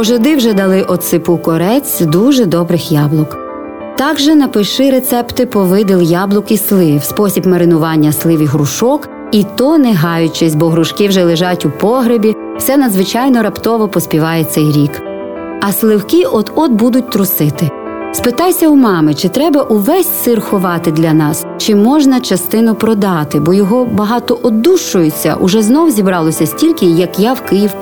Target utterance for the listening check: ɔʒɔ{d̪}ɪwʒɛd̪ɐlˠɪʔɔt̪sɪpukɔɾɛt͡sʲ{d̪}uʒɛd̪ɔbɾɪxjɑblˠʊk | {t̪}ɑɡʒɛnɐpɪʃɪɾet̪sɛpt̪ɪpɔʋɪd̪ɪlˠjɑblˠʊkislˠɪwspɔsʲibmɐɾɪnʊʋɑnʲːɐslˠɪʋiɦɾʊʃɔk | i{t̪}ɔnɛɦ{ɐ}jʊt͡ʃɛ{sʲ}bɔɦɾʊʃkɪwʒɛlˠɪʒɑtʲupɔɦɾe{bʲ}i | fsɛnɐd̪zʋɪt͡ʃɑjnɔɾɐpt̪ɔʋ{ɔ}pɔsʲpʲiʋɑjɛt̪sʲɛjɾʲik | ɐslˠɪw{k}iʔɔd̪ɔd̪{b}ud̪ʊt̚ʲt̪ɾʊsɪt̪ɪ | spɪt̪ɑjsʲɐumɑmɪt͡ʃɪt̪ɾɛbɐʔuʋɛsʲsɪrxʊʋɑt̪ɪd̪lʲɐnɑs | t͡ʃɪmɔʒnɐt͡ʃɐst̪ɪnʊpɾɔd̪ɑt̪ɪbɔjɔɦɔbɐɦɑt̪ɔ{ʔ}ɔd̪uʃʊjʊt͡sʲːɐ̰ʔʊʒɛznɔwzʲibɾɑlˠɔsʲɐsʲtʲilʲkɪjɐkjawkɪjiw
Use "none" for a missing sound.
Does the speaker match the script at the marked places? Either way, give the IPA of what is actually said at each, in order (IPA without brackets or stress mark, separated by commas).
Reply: d̪, d̪, t̪, t̪, ɑ, sʲ, bʲ, ɔ, k, b, ʔ